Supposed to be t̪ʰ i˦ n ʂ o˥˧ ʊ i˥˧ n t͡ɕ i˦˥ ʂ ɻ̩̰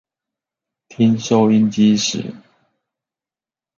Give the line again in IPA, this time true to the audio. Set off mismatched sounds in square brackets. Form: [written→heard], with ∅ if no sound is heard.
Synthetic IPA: t̪ʰ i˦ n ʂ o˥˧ ʊ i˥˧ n t͡ɕ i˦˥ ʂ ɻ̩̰